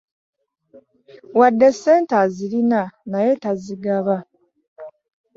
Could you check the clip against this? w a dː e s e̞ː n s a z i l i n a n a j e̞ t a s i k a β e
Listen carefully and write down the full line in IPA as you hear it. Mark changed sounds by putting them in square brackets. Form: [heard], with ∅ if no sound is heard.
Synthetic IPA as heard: w a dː e s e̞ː n [t] a z i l i n a n a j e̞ t a [z] i [ɡ] a β [a]